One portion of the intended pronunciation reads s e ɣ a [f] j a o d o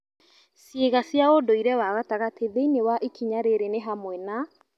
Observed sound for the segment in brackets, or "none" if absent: s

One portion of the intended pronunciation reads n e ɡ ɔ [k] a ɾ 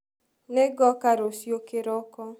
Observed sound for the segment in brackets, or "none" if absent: k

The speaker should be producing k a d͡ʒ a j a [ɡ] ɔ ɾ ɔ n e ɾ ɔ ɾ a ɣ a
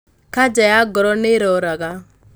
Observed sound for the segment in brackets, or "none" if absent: ɡ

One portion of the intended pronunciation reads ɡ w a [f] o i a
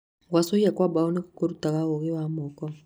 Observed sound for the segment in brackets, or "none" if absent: s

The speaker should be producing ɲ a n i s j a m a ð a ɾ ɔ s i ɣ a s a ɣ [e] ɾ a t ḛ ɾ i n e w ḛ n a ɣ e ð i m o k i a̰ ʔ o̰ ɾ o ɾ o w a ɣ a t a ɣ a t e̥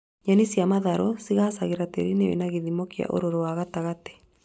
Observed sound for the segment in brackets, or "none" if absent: e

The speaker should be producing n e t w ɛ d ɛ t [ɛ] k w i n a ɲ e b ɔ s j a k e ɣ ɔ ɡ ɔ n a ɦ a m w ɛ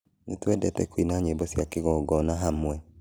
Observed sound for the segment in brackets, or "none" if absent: ɛ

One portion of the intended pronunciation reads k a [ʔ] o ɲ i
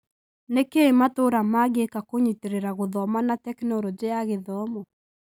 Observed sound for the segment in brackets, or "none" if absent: k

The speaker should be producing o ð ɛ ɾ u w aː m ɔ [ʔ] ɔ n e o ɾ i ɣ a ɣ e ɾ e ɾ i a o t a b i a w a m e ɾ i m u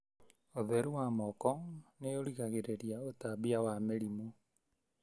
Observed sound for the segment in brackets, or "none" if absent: k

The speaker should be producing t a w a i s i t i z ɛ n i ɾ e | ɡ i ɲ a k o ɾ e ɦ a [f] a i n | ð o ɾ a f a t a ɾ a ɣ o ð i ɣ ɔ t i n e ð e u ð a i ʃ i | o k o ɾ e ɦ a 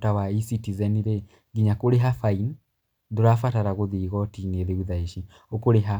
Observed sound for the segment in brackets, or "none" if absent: f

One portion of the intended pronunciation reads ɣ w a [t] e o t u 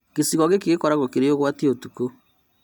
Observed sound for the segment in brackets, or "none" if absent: t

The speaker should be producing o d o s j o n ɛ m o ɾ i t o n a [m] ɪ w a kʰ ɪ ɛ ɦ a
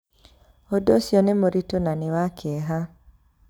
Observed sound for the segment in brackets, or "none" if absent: n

